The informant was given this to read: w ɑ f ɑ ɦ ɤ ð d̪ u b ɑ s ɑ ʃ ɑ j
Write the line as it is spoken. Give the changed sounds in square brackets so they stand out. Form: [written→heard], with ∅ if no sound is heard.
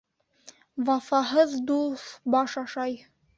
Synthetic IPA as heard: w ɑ f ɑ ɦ ɤ ð d̪ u b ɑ [s→ʃ] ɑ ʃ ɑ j